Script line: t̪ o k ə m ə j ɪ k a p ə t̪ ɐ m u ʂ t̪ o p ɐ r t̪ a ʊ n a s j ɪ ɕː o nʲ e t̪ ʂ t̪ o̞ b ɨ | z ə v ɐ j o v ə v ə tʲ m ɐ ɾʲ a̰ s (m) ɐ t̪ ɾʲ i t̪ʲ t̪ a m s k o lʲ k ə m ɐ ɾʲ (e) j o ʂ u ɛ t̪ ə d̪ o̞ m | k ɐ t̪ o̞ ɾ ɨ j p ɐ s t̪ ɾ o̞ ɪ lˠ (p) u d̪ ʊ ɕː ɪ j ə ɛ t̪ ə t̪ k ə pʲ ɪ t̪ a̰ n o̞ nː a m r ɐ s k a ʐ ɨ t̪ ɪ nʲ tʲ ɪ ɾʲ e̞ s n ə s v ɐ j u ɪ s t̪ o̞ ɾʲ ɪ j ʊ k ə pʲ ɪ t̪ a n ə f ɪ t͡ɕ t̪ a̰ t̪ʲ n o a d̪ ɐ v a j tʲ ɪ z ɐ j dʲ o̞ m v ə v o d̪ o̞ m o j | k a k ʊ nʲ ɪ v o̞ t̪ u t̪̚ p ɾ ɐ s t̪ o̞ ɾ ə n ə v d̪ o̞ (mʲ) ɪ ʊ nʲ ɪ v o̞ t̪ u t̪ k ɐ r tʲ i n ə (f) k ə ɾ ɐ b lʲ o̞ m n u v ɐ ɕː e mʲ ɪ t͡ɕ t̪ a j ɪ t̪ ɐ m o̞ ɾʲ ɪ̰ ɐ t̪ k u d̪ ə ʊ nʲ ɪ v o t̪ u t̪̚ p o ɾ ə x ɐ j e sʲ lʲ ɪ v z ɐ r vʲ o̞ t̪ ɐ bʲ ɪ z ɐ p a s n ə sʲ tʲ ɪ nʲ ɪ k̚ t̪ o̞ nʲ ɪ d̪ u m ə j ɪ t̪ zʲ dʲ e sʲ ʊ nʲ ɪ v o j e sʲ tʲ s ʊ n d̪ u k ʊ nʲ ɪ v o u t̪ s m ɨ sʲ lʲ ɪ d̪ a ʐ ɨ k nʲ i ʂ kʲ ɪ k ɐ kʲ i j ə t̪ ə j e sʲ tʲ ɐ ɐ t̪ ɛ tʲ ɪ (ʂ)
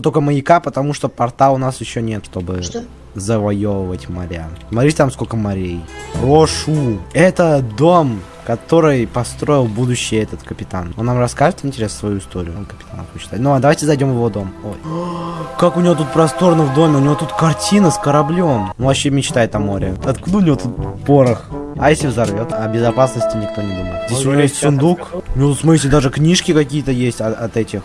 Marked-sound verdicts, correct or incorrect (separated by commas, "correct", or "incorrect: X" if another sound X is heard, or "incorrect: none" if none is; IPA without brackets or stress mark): correct, correct, incorrect: b, correct, incorrect: s, incorrect: x